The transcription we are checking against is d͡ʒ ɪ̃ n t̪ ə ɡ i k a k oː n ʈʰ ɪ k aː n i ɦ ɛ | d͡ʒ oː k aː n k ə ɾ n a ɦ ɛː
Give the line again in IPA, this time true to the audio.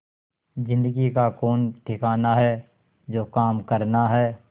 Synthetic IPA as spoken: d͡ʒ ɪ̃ n d̪ ə ɡ i k a k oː n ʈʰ ɪ k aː n a ɦ ɛ | d͡ʒ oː k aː m k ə ɾ n a ɦ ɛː

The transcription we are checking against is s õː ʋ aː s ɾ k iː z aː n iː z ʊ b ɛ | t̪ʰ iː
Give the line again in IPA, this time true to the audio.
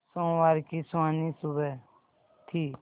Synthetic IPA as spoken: s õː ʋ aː ɾ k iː s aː n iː s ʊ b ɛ | t̪ʰ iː

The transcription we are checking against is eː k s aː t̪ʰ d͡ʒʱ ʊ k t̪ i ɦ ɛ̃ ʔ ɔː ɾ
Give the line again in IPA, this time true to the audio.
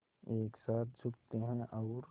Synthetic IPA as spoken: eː k s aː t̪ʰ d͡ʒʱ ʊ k t̪ e ɦ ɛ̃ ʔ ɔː ɾ

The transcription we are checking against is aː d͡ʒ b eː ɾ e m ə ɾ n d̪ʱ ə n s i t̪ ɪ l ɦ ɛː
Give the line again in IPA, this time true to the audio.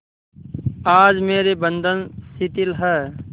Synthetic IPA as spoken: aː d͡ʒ m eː ɾ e b ə n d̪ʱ ə n s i t̪ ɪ l ɦ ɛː

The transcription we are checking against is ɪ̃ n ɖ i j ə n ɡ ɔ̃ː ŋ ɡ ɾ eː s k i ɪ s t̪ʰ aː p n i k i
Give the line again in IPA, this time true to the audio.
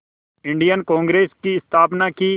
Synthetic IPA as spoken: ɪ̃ ɳ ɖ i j ə n k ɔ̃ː ŋ ɡ ɾ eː s k i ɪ s t̪ʰ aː p n a k i

